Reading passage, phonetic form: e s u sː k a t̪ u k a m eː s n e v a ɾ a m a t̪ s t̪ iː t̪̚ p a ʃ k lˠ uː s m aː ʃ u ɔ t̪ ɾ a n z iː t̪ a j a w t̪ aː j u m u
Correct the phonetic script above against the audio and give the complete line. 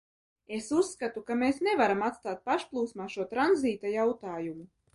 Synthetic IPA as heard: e s u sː k a t̪ u k a m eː s n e v a ɾ a m a t̪ s t̪ aː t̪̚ p a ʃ p lˠ uː s m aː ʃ u ɔ t̪ ɾ a n z iː t̪ a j a w t̪ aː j u m u